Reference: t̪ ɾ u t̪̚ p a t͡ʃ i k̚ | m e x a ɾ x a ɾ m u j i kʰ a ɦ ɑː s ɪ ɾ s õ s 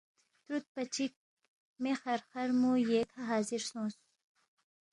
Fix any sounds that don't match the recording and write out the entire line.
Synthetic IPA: t̪ ɾ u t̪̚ p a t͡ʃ i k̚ | m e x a ɾ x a ɾ m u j e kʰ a ɦ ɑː z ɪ ɾ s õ s